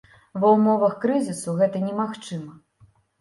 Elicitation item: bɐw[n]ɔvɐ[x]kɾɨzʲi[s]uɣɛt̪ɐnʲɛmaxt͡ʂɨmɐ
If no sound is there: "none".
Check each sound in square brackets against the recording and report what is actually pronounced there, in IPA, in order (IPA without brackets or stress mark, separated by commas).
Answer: m, x, s